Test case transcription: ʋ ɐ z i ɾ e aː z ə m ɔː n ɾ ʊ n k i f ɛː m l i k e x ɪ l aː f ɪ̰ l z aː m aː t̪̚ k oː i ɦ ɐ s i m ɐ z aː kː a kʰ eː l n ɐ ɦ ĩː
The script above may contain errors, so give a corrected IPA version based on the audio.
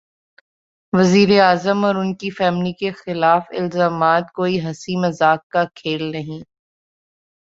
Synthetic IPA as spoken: ʋ ɐ z iː ɾ e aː z ə m ɔː ɾ ʊ n k i f ɛː m l i k e x ɪ l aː f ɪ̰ l z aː m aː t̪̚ k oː i ɦ ɐ s i m ɐ z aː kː a kʰ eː l n ɐ ɦ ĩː

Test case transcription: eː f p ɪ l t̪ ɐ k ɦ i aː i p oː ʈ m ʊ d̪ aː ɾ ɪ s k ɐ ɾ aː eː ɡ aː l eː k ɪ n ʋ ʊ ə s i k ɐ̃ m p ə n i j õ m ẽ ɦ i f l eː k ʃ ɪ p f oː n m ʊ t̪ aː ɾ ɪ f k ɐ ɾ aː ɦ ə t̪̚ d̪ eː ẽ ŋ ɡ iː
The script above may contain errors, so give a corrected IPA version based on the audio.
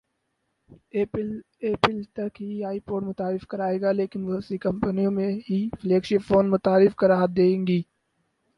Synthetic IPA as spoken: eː p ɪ l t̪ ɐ k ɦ i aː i p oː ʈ m ʊ t̪ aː ɾ ɪ f k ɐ ɾ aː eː ɡ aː l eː k ɪ n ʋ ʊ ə s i k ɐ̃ m p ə n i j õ m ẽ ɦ i f l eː k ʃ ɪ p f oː n m ʊ t̪ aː ɾ ɪ f k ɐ ɾ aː ɦ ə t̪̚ d̪ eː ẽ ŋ ɡ iː

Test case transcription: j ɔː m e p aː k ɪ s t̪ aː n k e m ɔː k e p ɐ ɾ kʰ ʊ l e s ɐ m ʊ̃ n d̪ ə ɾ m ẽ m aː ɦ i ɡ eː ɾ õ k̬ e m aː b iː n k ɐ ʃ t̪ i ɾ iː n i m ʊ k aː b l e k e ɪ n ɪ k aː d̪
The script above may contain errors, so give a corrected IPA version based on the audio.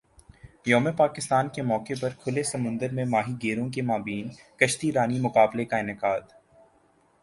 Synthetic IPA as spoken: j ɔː m e p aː k ɪ s t̪ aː n k e m ɔː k e p ɐ ɾ kʰ ʊ l e s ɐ m ʊ̃ n d̪ ə ɾ m ẽ m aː ɦ i ɡ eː ɾ õ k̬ e m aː b iː n k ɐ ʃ t̪ i ɾ aː n i m ʊ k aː b l e k a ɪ n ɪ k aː d̪

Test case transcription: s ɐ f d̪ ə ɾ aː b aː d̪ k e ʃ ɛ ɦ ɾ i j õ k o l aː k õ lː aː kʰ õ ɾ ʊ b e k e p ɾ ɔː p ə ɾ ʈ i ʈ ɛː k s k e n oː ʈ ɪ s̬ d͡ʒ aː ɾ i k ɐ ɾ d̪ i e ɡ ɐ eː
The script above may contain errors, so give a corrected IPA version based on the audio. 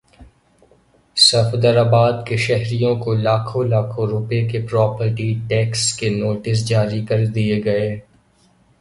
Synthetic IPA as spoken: s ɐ f d̪ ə ɾ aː b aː d̪ k e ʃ ɛ ɦ ɾ i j õ k o l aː kʰ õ l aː kʰ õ ɾ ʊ p e k e p ɾ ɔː p ə ɾ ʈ i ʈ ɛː k s k e n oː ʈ ɪ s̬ d͡ʒ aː ɾ i k ɐ ɾ d̪ i e ɡ ɐ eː

